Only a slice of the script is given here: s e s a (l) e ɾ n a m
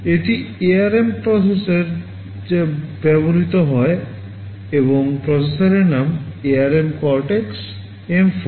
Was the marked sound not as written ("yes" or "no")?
yes